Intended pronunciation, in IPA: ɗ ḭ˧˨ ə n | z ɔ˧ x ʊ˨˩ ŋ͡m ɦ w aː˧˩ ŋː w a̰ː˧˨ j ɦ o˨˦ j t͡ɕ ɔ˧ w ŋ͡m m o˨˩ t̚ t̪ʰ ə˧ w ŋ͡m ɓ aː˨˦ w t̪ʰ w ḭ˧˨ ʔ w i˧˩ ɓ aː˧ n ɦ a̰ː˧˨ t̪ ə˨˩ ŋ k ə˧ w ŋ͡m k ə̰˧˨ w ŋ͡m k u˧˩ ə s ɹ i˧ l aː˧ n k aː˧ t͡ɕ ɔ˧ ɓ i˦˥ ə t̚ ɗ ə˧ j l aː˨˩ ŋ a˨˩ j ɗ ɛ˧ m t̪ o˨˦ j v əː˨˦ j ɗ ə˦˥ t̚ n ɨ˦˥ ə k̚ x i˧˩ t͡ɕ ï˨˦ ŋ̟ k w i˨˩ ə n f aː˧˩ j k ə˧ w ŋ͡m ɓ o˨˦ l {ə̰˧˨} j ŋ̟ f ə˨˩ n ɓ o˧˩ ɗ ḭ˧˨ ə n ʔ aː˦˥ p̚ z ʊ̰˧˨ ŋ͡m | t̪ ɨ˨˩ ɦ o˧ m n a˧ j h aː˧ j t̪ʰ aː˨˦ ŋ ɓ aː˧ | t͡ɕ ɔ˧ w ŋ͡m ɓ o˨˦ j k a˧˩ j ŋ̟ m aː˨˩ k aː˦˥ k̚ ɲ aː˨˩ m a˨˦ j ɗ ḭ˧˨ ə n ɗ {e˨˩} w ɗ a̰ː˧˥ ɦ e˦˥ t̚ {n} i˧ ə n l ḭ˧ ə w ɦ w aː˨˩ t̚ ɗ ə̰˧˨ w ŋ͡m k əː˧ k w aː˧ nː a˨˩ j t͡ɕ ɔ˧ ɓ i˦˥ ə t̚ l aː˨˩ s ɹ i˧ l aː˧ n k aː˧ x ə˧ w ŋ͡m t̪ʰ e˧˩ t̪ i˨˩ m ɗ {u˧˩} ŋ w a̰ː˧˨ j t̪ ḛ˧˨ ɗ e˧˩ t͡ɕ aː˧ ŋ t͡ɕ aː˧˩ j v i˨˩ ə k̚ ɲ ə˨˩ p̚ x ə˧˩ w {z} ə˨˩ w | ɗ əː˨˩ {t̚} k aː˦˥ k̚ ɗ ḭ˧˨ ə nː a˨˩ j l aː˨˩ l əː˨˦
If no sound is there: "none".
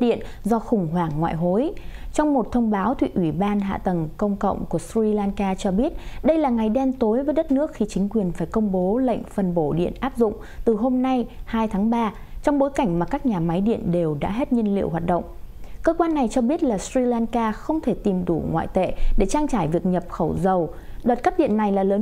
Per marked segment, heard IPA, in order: ə̰˧˨, e˨˩, ɲ, u˧˩, z, t̚

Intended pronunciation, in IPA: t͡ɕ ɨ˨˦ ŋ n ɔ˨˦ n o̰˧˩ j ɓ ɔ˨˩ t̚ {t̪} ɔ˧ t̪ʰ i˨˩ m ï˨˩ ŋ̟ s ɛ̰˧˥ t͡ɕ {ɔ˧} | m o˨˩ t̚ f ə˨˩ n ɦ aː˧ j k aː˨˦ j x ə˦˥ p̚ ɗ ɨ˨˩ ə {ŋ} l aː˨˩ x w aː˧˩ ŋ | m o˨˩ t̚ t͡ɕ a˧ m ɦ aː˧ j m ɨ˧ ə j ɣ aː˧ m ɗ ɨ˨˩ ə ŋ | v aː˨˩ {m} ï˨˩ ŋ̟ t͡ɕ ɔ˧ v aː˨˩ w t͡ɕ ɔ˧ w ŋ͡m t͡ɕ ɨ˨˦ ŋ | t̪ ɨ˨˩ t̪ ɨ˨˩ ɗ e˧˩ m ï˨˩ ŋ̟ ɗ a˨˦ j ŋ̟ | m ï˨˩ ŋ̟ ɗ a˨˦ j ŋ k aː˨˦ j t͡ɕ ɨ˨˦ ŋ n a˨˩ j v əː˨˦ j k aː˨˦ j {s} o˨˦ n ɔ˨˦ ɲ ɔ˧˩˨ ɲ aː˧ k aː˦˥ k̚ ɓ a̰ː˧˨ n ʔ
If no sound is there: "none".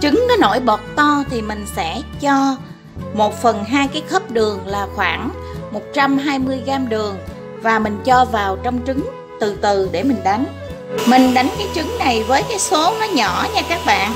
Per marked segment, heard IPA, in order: t̪, ɔ˧, ŋ, m, s

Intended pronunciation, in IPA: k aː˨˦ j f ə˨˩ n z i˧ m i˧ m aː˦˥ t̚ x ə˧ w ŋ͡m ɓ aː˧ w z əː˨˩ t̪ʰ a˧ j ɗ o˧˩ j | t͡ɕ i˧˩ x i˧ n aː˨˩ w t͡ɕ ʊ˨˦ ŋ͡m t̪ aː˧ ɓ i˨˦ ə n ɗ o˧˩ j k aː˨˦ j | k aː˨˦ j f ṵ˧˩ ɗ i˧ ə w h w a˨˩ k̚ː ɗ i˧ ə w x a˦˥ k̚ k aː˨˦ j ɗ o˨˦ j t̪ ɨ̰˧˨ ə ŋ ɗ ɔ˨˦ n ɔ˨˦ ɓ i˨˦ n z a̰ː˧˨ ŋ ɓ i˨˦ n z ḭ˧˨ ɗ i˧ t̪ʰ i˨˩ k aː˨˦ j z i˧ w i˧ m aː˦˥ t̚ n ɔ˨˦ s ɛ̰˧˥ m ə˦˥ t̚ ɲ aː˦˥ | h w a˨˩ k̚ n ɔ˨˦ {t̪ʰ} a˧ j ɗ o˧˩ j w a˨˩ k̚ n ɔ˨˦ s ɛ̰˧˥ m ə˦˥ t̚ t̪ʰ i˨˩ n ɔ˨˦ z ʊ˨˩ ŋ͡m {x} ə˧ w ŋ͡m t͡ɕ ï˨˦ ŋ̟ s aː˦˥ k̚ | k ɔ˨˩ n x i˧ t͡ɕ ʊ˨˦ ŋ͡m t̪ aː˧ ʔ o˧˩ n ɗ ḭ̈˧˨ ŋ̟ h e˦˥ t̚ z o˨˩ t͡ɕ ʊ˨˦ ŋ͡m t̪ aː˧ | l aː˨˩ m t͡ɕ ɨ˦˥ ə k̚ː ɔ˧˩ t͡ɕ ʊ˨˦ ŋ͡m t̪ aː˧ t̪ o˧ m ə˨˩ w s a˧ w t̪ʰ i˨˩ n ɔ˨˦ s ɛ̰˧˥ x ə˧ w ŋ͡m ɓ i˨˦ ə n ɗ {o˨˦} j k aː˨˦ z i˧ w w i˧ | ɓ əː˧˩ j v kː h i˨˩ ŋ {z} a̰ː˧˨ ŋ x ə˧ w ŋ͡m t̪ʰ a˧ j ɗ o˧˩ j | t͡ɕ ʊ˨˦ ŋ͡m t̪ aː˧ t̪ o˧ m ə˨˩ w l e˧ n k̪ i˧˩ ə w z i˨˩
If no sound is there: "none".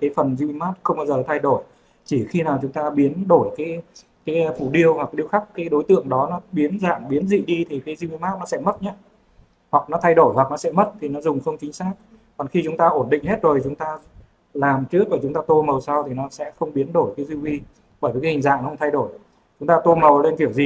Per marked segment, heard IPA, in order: t̪ʰ, x, o˧˩, z

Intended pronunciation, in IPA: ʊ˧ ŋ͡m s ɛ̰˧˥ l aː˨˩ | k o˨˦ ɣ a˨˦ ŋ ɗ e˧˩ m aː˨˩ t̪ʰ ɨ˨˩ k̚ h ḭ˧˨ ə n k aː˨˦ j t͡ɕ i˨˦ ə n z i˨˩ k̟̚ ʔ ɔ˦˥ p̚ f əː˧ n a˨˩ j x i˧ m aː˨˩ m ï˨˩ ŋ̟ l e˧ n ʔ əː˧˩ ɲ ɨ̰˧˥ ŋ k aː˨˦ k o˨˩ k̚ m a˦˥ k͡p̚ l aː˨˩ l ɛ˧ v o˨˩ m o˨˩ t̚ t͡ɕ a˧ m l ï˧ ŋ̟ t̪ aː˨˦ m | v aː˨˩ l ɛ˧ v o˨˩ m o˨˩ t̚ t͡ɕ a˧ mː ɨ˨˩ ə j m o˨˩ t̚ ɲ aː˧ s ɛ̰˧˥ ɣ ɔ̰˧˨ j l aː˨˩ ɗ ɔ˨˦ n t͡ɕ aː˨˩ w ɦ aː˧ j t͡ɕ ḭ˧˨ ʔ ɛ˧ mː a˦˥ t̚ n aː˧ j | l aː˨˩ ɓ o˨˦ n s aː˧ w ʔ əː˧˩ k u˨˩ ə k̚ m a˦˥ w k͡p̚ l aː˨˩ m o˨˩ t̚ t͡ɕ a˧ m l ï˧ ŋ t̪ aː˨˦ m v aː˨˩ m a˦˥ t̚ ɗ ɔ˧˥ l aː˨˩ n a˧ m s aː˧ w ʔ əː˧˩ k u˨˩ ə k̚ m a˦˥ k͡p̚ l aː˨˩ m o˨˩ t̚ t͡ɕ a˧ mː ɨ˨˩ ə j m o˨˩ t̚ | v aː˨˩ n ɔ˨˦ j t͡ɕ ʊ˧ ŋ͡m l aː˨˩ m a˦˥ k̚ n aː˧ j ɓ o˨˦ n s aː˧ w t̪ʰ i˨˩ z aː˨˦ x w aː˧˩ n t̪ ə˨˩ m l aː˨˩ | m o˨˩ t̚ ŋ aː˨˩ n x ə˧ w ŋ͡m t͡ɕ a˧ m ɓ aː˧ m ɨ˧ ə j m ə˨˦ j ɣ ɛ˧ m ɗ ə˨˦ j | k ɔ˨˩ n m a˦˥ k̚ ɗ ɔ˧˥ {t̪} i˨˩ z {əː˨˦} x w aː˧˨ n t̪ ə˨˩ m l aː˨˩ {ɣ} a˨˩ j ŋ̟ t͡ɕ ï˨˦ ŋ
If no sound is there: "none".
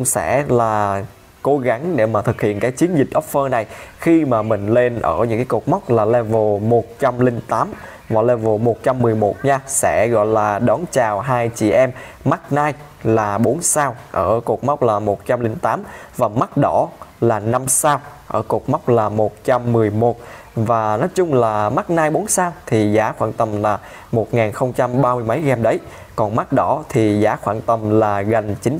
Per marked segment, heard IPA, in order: t̪ʰ, aː˨˦, ɣ

